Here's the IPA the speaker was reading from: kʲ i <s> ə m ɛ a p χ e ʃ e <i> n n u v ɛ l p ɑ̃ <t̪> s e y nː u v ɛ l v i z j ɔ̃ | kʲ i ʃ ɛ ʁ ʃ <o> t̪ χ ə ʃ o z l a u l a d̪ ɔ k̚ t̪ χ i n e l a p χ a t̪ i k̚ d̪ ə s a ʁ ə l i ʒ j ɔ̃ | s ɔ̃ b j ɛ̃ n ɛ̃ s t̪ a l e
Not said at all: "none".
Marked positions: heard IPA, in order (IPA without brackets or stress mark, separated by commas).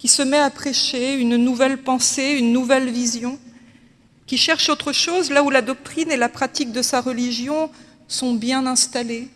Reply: s, y, none, o